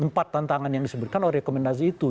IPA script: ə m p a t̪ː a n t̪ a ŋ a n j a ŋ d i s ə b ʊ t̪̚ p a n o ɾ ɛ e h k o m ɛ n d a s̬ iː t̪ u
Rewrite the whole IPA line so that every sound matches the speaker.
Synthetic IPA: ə m p a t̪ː a n t̪ a ŋ a n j a ŋ d i s ə b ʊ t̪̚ k a n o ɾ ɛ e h k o m ɛ n d a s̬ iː t̪ u